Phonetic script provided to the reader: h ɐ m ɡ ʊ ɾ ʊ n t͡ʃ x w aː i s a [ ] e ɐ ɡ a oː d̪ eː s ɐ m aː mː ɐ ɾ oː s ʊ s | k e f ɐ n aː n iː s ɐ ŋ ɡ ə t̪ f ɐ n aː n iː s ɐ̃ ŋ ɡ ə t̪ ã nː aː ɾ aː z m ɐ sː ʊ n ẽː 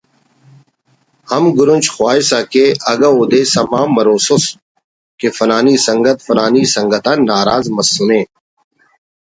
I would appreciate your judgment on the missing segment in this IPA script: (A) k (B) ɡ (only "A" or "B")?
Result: A